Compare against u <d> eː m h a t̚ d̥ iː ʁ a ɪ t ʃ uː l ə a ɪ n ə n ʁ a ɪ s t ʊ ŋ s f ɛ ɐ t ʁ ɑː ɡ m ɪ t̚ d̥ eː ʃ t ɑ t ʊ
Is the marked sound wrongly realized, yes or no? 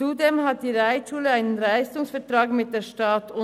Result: no